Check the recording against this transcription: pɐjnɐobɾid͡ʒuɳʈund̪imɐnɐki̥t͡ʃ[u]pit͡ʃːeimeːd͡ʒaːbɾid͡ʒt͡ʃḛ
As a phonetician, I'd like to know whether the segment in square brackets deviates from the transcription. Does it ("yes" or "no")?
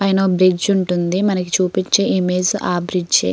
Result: yes